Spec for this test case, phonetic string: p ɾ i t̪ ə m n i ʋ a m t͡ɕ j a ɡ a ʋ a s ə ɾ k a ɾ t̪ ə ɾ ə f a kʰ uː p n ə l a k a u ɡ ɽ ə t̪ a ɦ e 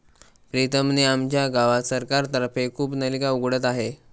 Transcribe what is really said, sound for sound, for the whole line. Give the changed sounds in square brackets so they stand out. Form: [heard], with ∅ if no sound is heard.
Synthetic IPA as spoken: p ɾ i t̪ ə m n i [∅] a m t͡ɕ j a ɡ a ʋ a s ə ɾ k a ɾ t̪ ə ɾ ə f [e] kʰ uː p n ə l [i] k a u ɡ ɽ ə t̪ a ɦ e